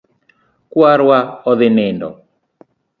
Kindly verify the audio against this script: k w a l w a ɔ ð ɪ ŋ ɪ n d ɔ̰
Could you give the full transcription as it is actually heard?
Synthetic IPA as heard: k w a ɾ w a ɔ ð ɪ n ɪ n d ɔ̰